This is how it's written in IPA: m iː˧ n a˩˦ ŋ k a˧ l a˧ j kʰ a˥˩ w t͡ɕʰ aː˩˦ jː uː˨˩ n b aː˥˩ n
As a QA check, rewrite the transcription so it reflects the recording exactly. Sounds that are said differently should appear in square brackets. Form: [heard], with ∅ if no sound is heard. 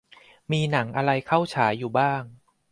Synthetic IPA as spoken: m iː˧ n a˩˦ ŋ [ʔ] a˧ [ɾ] a˧ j kʰ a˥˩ w t͡ɕʰ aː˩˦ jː uː˨˩ [∅] b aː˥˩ [ŋ]